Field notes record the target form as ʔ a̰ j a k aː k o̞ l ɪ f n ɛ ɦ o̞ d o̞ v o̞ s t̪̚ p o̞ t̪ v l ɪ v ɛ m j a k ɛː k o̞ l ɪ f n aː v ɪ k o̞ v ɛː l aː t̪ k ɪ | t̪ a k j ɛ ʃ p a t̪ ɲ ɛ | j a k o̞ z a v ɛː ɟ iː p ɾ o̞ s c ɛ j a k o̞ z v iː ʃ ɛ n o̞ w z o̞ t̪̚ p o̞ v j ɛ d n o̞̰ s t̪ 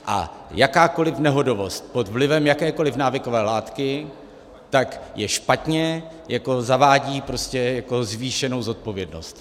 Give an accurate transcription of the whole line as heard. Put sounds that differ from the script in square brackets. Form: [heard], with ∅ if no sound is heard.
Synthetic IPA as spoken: ʔ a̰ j a k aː k o̞ l ɪ f n ɛ ɦ o̞ d o̞ v o̞ s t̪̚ p o̞ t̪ v l ɪ v ɛ m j a k ɛː k o̞ l ɪ f n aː v ɪ k o̞ v ɛː l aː t̪ k ɪ | t̪ a k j ɛ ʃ p a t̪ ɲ ɛ | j a k o̞ z a v [aː] ɟ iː p ɾ o̞ s c ɛ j a k o̞ z v iː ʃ ɛ n o̞ w z o̞ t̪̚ p o̞ v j ɛ d n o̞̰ s t̪